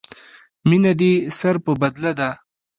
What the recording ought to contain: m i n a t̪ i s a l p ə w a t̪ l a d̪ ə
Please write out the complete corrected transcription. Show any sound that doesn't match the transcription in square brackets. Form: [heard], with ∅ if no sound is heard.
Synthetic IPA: m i n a [d̪] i s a [ɾ] p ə [b] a [d̪] l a d̪ [a]